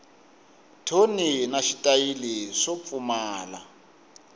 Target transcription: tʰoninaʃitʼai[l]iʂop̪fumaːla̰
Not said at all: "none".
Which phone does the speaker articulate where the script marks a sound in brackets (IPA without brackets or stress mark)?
l